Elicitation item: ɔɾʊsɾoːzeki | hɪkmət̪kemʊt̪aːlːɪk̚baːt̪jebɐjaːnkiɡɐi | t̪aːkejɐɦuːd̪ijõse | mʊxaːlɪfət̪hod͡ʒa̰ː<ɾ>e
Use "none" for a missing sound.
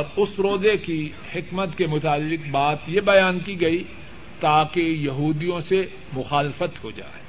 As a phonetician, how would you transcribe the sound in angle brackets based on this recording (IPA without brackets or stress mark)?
none